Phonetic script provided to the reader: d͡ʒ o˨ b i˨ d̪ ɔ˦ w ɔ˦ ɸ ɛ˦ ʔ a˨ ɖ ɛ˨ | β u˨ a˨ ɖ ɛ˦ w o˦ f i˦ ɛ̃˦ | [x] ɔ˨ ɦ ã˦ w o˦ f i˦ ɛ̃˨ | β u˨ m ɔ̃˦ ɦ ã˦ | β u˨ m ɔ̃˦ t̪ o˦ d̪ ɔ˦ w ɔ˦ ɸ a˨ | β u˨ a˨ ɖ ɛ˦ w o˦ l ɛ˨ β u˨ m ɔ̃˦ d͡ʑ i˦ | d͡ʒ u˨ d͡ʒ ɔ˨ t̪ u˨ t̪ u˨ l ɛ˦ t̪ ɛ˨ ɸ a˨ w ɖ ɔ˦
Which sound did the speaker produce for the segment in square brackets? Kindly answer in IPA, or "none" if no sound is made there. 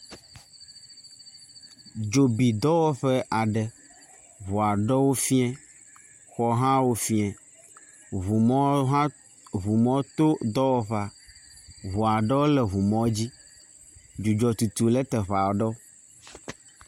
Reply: x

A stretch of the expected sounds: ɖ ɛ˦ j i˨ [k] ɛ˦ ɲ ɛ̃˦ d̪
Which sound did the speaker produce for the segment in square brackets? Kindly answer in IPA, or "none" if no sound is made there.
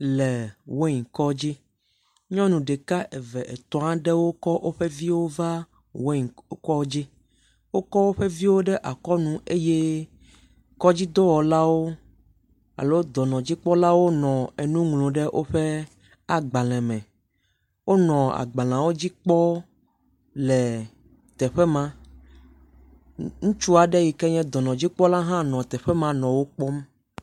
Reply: k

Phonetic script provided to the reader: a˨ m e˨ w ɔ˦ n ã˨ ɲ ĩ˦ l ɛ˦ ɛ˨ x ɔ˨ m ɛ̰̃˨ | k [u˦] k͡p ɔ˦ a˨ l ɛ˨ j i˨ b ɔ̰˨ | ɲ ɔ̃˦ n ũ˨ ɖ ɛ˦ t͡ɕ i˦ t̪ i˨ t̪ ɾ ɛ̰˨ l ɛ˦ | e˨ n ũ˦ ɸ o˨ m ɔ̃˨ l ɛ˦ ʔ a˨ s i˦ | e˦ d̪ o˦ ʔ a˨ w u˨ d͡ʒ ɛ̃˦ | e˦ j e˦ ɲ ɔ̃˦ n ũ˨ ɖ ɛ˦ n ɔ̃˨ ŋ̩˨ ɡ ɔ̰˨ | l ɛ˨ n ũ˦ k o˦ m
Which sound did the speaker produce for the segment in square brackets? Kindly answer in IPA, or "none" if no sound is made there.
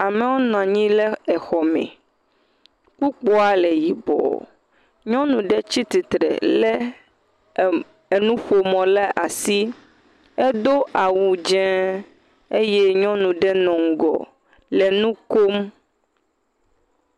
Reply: u˦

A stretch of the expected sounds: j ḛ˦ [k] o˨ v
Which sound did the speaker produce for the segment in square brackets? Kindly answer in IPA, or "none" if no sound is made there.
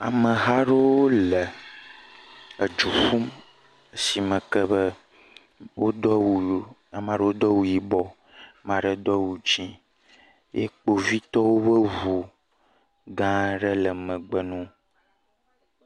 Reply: k͡p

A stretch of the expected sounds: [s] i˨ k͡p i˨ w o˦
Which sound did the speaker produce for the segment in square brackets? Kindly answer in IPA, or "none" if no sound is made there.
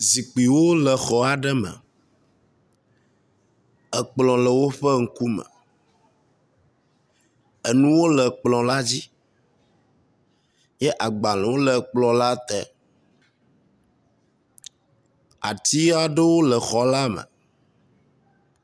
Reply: z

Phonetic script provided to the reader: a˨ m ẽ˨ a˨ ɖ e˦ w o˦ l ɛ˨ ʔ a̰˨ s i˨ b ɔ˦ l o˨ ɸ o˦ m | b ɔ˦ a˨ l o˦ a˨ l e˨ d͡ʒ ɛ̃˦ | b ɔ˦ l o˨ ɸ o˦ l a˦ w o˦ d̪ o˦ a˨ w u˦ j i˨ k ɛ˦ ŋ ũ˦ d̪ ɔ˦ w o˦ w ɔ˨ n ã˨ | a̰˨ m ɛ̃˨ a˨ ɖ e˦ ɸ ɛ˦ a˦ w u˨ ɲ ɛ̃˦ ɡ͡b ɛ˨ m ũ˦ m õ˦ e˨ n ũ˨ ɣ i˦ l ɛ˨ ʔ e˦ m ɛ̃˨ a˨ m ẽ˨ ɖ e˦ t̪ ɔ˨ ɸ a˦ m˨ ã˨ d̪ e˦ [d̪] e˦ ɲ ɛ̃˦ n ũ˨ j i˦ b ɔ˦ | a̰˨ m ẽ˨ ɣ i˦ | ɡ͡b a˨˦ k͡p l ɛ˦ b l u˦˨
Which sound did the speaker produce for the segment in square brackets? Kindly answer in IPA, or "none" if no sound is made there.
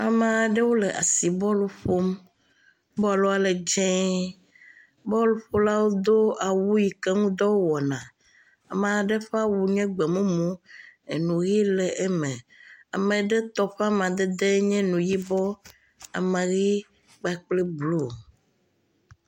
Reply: d̪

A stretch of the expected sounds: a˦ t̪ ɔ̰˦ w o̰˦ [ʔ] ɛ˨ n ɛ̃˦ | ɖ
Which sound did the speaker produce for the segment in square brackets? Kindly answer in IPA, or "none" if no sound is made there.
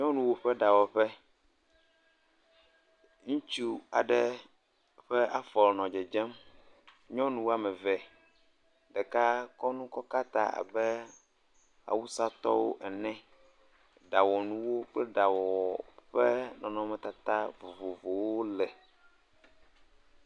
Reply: ʔ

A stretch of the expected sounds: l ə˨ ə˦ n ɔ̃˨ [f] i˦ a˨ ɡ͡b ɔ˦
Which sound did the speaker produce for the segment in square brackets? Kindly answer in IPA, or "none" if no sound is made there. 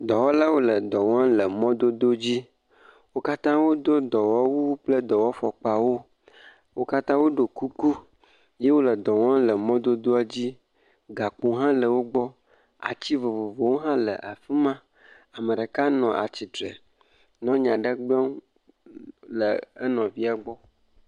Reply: v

